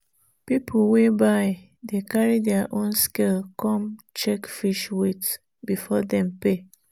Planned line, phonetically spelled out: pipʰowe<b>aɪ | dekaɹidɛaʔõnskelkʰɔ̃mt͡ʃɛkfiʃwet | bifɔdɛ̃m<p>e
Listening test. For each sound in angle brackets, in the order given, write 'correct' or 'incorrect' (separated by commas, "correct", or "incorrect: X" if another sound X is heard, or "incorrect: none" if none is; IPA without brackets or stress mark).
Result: correct, correct